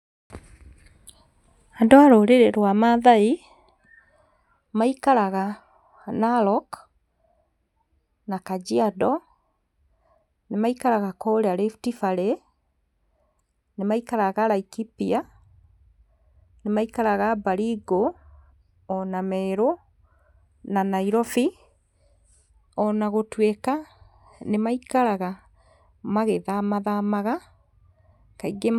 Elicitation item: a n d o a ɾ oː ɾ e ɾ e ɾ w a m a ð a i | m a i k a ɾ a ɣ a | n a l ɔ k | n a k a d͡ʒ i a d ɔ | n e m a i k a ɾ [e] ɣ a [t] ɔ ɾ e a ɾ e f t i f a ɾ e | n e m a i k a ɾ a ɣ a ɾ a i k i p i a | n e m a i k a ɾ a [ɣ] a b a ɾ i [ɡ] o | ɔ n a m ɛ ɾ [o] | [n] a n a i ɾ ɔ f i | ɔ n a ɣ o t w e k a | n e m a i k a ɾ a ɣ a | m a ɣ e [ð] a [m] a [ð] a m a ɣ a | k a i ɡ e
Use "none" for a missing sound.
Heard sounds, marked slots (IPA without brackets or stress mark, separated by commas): a, k, ɣ, ɡ, o, n, ð, m, ð